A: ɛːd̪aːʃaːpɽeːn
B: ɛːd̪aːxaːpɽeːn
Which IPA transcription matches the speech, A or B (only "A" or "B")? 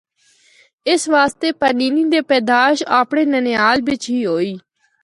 A